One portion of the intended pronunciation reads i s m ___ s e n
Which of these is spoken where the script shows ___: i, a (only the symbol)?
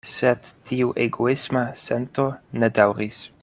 a